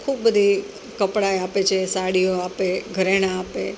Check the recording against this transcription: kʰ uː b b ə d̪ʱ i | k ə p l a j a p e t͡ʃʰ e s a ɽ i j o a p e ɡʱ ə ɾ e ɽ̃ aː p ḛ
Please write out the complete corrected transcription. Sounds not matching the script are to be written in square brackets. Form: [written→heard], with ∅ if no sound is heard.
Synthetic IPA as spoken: kʰ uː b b ə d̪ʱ i | k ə p [l→ɽ] a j a p e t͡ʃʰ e s a ɽ i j o a p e ɡʱ ə ɾ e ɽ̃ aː p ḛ

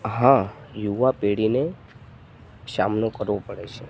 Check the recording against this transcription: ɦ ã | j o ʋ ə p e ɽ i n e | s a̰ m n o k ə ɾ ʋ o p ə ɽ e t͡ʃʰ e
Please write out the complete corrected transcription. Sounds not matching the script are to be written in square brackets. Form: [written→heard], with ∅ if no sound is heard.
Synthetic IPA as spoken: ɦ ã | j [o→u] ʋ [ə→a] p e ɽ i n e | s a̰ m n o k ə ɾ ʋ o p ə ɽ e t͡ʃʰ e

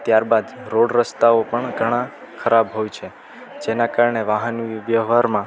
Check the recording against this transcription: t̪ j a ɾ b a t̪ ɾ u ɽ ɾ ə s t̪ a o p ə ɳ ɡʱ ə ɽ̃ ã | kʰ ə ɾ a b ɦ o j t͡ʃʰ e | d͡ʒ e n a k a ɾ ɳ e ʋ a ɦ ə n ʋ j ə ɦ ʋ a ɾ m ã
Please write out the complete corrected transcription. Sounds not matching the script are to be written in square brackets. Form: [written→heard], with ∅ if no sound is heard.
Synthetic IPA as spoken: t̪ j a ɾ b a [t̪→d̪] ɾ [u→o] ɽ ɾ ə s t̪ a o p ə ɳ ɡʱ ə ɽ̃ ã | kʰ ə ɾ a b ɦ o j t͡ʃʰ e | d͡ʒ e n a k a ɾ ɳ e ʋ a ɦ ə n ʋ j ə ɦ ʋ a ɾ m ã

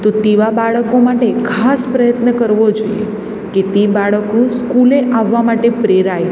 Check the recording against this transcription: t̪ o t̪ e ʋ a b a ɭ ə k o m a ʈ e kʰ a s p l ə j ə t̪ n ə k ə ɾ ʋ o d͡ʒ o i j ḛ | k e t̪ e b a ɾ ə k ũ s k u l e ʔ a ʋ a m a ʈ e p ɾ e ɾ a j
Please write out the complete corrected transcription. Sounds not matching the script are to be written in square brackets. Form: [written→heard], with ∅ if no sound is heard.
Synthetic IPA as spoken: t̪ o t̪ e ʋ a b a ɭ ə k o m a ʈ e kʰ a s p [l→ɾ] ə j ə t̪ n ə k ə ɾ ʋ o d͡ʒ o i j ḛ | k e t̪ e b a [ɾ→ɭ] ə k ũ s k u l e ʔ a [ʋ→ʋː] a m a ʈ e p ɾ e ɾ a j

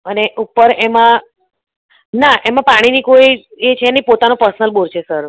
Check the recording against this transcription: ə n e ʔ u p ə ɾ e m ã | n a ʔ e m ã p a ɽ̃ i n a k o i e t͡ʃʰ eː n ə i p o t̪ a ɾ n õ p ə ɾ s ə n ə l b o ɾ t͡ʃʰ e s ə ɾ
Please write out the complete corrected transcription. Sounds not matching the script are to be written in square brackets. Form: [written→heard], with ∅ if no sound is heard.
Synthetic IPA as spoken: ə n e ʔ u p ə ɾ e m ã | n a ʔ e m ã p a ɽ̃ i n [a→i] k o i e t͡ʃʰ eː n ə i p o t̪ a [ɾ→∅] n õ p ə ɾ s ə n ə l b o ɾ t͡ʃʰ e s ə ɾ

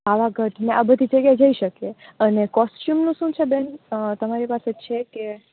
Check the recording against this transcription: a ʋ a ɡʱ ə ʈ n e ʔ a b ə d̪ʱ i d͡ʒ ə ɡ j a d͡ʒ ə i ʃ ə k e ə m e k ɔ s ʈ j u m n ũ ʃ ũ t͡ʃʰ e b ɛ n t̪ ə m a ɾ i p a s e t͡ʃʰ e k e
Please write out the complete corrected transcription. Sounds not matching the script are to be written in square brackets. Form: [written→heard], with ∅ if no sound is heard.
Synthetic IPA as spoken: a ʋ a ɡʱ ə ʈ n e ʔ a b ə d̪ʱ i d͡ʒ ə ɡ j a d͡ʒ ə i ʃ ə k e ə [m→n] e k ɔ s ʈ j u m n ũ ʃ ũ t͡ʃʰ e b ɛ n t̪ ə m a ɾ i p a s e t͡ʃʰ e k e

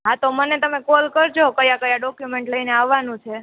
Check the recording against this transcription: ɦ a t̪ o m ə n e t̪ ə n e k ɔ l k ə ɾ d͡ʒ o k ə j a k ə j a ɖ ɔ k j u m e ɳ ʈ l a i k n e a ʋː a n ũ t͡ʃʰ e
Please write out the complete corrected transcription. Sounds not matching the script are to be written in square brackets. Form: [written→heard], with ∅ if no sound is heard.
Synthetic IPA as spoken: ɦ a t̪ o m ə n e t̪ ə [n→m] e k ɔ l k ə ɾ d͡ʒ o k ə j a k ə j a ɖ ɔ k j u m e ɳ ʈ l [a→ə] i [k→∅] n e a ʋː a n ũ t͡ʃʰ e

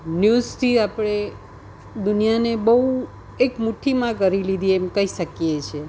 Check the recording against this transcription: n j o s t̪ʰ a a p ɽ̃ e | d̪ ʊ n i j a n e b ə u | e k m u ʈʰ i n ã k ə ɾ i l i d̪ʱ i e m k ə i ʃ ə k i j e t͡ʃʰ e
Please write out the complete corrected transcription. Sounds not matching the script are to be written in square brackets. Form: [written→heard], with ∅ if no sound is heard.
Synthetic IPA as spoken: n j [o→u] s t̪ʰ [a→i] a p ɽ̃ e | d̪ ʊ n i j a n e b ə u | e k m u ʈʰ i [n→m] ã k ə ɾ i l i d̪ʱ i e m k ə i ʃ ə k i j e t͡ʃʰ e

